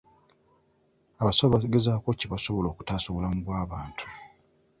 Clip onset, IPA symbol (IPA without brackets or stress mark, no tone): a